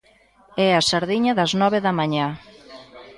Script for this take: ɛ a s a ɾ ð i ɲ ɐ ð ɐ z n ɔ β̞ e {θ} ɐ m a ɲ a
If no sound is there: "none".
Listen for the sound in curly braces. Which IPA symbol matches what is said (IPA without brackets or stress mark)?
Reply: ð